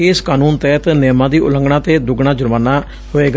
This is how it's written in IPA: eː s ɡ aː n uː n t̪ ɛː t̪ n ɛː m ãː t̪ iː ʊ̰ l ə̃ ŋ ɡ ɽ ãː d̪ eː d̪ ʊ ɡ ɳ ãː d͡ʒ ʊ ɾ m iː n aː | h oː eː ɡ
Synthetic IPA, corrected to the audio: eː s k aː n uː n t̪ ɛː t̪ n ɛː m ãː d̪ iː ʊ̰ l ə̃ ŋ ɡ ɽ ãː t̪ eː d̪ ʊ ɡ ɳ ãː d͡ʒ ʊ ɾ m aː n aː | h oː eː ɡ